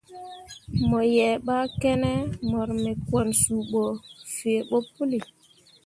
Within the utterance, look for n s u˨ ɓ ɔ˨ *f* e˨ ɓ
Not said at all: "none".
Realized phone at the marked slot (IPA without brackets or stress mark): f